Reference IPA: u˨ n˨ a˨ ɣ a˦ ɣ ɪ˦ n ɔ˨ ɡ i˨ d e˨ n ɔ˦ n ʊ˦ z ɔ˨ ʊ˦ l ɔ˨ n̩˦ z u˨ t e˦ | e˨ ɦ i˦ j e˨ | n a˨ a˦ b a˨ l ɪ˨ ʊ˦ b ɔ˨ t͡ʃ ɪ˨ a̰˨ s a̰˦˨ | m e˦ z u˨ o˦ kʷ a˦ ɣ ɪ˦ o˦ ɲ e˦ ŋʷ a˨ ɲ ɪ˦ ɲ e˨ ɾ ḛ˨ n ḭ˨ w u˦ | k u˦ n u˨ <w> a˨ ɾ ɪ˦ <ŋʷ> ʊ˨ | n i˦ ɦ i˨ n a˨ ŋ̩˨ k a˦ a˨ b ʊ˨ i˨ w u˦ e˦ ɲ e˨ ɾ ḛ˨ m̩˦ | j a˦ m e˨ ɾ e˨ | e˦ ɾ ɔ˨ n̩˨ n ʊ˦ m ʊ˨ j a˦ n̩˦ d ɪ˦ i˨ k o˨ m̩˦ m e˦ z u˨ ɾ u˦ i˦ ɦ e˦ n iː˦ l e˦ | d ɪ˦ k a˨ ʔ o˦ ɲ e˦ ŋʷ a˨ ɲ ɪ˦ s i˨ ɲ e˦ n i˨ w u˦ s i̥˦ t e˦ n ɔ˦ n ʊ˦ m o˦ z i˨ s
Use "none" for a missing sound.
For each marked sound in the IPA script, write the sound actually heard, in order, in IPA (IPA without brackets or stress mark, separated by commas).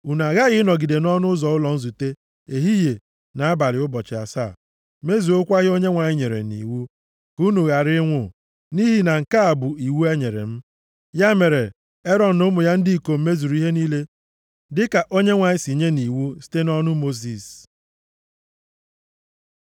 ɣ, ŋʷ